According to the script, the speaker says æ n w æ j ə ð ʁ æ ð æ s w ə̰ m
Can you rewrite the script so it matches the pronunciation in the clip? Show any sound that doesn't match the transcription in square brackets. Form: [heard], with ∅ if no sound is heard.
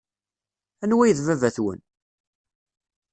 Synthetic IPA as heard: æ n w æ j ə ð [v] æ [v] æ [θ] w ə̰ [n]